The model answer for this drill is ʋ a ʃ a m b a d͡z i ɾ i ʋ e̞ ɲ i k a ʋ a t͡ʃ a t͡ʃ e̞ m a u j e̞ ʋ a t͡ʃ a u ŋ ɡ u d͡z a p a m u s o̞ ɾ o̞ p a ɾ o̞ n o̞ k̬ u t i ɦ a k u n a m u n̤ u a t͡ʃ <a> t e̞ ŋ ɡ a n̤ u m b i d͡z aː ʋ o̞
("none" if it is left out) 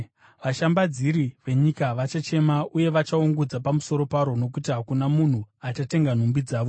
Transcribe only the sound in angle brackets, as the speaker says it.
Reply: a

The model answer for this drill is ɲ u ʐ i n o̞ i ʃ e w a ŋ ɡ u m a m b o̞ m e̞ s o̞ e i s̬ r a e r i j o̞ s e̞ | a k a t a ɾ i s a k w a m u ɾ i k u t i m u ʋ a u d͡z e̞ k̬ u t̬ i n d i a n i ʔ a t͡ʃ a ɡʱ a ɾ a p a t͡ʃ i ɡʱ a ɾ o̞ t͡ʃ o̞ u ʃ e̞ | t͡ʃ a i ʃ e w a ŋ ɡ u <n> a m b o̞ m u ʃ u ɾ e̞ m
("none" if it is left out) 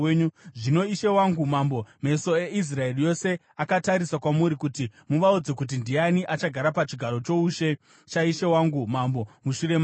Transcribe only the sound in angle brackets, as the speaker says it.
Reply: m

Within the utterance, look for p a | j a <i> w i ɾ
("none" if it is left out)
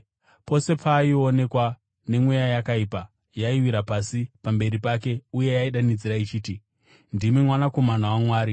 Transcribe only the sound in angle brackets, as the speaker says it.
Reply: i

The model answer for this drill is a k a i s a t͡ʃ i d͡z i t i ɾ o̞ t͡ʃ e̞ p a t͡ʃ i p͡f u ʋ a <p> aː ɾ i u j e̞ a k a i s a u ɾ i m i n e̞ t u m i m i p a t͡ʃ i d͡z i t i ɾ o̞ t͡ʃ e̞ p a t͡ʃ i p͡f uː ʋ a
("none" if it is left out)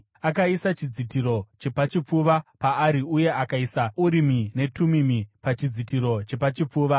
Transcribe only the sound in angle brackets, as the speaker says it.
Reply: p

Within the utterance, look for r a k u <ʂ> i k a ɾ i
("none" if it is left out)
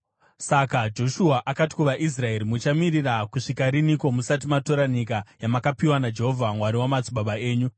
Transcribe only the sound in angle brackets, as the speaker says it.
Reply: ʂ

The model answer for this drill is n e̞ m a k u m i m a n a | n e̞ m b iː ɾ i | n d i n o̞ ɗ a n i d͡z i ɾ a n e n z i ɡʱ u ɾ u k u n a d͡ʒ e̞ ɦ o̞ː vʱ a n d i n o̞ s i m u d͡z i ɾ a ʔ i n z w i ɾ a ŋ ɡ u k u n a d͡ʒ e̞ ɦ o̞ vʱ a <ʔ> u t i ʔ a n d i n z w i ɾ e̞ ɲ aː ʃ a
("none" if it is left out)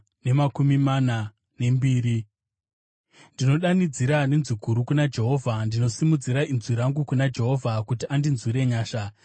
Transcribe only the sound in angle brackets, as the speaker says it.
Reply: k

